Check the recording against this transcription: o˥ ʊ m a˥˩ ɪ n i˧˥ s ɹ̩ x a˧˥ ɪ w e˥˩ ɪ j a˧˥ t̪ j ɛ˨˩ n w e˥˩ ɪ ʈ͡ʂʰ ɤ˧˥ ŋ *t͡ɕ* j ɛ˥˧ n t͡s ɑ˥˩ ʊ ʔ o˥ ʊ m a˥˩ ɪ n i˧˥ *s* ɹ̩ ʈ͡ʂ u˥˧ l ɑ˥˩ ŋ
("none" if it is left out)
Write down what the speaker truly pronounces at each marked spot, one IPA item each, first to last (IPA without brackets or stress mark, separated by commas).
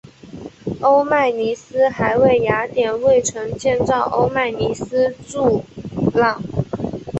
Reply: t͡ɕ, s